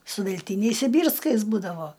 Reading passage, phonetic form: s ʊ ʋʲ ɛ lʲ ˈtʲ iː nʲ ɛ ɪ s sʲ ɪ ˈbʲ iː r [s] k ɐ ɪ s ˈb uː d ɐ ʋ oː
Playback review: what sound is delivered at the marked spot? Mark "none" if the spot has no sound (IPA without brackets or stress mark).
s